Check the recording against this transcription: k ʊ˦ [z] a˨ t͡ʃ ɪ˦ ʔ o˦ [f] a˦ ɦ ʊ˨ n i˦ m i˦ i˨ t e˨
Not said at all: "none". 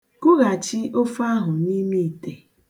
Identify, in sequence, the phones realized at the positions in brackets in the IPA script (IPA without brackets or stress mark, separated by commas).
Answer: ɣ, f